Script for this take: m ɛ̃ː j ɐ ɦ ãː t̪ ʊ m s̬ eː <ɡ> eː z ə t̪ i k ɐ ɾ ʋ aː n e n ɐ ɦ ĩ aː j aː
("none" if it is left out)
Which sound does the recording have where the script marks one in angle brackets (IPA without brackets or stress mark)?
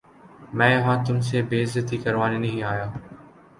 b